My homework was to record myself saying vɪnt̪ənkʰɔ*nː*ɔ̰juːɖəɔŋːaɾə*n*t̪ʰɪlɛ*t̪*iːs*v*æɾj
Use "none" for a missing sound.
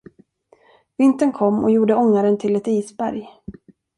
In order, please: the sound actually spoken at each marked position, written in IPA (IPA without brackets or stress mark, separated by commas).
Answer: mː, n, t̪, b